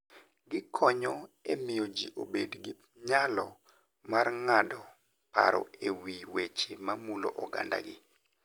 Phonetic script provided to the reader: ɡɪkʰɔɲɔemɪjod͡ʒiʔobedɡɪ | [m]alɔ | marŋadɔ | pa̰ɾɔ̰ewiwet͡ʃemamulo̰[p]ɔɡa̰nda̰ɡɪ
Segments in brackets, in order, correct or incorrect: incorrect, incorrect

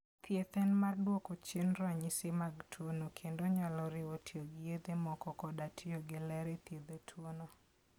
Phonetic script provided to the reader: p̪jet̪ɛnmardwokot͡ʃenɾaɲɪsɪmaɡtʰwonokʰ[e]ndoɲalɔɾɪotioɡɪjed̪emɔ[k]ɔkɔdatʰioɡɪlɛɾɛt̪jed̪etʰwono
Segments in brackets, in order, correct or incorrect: correct, correct

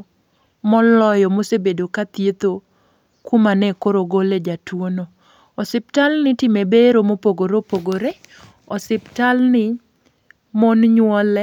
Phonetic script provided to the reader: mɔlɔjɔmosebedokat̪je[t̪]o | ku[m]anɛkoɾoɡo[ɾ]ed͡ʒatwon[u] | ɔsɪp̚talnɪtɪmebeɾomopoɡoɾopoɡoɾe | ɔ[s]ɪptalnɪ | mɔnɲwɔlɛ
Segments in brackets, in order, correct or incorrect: correct, correct, incorrect, incorrect, correct

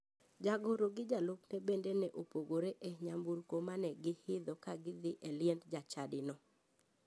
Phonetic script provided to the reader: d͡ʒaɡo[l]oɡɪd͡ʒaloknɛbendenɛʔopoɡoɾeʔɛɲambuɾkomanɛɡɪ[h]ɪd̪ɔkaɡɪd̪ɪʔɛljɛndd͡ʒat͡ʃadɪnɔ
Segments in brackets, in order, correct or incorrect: incorrect, correct

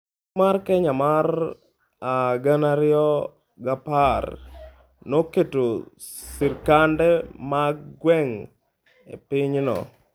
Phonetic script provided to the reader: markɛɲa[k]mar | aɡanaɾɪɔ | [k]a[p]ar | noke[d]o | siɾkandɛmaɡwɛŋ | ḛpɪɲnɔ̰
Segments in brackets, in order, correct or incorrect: incorrect, incorrect, correct, incorrect

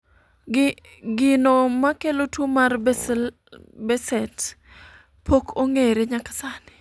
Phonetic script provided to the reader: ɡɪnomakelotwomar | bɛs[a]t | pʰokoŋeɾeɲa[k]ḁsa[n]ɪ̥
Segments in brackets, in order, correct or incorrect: incorrect, correct, correct

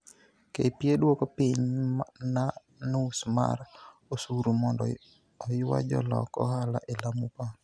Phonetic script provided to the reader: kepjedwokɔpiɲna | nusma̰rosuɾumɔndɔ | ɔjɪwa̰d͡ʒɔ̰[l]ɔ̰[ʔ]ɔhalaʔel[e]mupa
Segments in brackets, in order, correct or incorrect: correct, incorrect, incorrect

